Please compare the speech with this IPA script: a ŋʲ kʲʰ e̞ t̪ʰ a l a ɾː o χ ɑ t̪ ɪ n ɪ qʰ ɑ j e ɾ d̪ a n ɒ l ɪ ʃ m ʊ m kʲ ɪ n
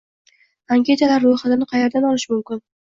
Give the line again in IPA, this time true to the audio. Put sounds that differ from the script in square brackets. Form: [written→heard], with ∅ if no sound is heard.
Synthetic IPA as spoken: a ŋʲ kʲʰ e̞ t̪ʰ a l a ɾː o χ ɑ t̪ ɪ n ɪ qʰ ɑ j e ɾ d̪ a n ɒ l ɪ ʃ m ʊ m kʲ ɪ n